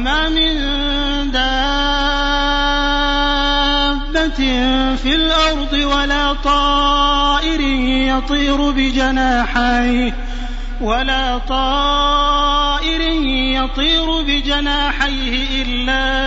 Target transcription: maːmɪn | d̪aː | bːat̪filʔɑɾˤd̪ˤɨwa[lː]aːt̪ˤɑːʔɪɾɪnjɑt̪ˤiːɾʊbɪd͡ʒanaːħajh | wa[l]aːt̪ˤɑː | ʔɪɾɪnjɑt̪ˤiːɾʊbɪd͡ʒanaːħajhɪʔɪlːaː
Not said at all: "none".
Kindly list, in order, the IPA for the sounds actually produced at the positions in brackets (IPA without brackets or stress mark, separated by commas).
l, l